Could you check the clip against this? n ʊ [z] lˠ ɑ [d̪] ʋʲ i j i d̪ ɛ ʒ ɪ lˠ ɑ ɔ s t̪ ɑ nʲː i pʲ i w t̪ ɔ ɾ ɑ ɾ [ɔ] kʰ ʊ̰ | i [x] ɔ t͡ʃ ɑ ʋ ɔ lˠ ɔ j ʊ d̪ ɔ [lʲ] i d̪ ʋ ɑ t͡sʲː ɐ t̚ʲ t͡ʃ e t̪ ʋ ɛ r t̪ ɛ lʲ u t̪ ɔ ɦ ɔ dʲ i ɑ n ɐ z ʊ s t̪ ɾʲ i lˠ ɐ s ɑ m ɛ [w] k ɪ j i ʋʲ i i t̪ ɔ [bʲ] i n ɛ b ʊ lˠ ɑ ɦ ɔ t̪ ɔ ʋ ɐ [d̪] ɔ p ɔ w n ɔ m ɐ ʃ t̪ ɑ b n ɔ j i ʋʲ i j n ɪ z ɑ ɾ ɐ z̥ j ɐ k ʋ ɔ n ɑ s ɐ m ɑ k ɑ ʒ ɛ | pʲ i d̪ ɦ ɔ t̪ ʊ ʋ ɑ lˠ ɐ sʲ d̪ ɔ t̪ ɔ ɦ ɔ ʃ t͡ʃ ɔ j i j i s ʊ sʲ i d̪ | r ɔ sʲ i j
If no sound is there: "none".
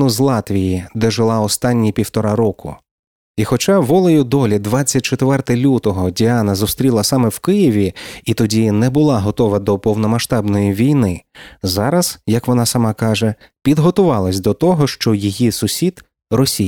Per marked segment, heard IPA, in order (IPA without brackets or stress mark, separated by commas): z, t̪, ɔ, x, lʲ, w, dʲ, d̪